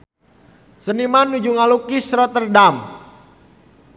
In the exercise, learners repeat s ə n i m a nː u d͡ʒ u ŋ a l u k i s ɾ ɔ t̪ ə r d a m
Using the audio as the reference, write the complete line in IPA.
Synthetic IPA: s ə n i m a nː u d͡ʒ u ŋ a l u k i s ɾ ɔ t̪ ə r d a m

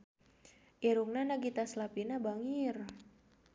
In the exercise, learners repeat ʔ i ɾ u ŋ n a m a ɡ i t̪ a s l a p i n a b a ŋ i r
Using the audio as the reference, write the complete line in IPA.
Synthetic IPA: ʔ i ɾ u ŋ n a n a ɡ i t̪ a s l a p i n a b a ŋ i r

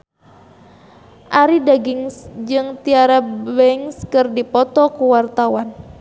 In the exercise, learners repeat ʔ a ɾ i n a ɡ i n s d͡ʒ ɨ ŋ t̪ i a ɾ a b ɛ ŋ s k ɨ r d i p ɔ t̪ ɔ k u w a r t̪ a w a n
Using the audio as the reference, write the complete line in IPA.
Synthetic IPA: ʔ a ɾ i d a ɡ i ŋ s d͡ʒ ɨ ŋ t̪ i a ɾ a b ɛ ŋ s k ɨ r d i p ɔ t̪ ɔ k u w a r t̪ a w a n

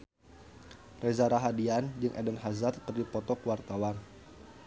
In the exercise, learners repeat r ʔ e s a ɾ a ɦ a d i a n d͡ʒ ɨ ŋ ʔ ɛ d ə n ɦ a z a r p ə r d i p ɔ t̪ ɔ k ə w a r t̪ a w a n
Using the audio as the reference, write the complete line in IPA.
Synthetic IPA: r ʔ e z a ɾ a ɦ a d i a n d͡ʒ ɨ ŋ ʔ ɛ d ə n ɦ a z a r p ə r d i p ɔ t̪ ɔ k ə w a r t̪ a w a n

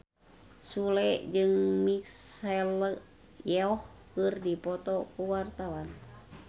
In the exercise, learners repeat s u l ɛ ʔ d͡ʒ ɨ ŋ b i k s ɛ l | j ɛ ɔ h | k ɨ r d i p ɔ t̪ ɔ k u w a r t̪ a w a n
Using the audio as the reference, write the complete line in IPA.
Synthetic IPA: s u l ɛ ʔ d͡ʒ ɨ ŋ m i k s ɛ l | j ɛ ɔ h | k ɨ r d i p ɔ t̪ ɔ k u w a r t̪ a w a n

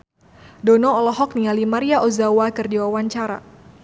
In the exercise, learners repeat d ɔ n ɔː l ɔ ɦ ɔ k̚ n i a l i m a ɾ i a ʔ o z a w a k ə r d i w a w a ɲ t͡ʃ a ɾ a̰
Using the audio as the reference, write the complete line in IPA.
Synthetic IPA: d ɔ n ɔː l ɔ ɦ ɔ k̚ n i a l i m a ɾ i a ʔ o z a w a k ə r d i w a w a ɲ t͡ʃ a ɾ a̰

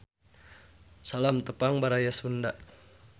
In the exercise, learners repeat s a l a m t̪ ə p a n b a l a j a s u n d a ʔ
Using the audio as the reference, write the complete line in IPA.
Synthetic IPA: s a l a m t̪ ə p a ŋ b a ɾ a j a s u n d a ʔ

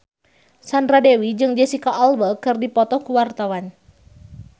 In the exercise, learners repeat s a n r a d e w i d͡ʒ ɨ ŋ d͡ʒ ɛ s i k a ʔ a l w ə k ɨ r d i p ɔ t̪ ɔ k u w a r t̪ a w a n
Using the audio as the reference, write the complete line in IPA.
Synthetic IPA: s a n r a d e w i d͡ʒ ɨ ŋ d͡ʒ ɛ s i k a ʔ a l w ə k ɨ r d i p ɔ t̪ ɔ k u w a r t̪ a w a n

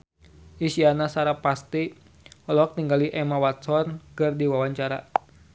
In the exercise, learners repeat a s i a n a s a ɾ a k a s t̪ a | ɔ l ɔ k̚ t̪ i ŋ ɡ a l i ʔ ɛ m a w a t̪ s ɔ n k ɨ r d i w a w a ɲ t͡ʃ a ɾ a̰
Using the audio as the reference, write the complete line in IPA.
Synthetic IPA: i s i a n a s a ɾ a p a s t̪ i | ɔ l ɔ k̚ t̪ i ŋ ɡ a l i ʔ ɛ m a w a t̪ s ɔ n k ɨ r d i w a w a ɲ t͡ʃ a ɾ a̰

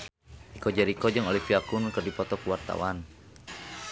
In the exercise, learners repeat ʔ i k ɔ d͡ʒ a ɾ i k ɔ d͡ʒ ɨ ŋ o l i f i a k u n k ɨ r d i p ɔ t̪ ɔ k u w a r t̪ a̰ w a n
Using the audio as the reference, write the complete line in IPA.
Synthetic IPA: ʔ i k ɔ d͡ʒ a ɾ i k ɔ d͡ʒ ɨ ŋ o l i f i a k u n k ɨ r d i p ɔ t̪ ɔ k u w a r t̪ a̰ w a n

